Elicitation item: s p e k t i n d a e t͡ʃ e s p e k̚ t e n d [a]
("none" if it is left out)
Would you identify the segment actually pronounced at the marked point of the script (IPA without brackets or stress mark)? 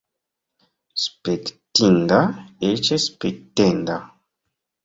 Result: a